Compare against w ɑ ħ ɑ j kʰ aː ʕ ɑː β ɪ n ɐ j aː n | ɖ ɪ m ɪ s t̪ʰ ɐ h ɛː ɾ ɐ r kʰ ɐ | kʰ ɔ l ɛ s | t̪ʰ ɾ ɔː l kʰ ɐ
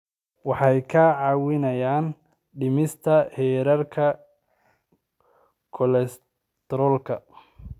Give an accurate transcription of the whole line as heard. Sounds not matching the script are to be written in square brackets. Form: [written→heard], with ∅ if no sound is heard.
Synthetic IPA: w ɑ ħ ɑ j kʰ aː ʕ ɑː [β→w] ɪ n ɐ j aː n | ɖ ɪ m ɪ s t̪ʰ ɐ h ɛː ɾ ɐ r kʰ ɐ | kʰ ɔ l ɛ s | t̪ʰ ɾ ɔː l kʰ ɐ